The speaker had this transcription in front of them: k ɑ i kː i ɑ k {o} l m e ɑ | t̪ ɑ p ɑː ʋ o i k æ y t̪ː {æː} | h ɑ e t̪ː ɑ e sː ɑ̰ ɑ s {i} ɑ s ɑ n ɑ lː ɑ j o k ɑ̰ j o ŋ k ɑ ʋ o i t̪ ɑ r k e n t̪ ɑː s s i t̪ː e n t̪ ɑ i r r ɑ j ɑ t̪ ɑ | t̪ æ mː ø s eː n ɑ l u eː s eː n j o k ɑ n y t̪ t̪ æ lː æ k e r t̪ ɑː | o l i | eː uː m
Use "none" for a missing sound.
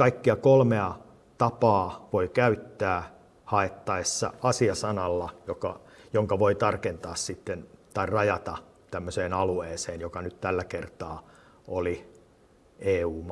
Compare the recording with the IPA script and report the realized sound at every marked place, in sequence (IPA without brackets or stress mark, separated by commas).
o, æː, i